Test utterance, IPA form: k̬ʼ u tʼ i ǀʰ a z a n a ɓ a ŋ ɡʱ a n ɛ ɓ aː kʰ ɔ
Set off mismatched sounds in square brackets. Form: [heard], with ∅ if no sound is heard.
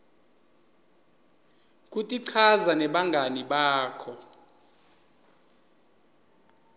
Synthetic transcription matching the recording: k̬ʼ u tʼ i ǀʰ a z a n [ɛ] ɓ a ŋ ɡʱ a n [i] ɓ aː kʰ ɔ